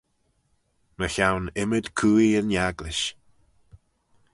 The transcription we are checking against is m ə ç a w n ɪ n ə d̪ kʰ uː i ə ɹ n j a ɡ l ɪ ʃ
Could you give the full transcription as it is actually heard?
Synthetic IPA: m ə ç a w n ɪ m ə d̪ kʰ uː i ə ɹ n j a ɡ l ɪ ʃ